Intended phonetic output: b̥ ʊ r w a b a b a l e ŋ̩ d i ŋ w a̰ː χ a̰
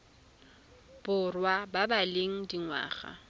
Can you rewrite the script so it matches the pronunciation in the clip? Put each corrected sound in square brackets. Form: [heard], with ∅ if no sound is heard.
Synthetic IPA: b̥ ʊ r w a b a b a l e ŋ̩ d i ŋ w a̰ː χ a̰